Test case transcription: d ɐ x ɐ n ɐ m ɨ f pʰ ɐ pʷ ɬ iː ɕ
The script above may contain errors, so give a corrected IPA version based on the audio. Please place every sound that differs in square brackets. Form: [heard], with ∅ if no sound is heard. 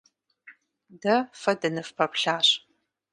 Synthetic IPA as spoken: d ɐ [f] ɐ [d] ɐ [n] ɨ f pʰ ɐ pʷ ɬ [aː] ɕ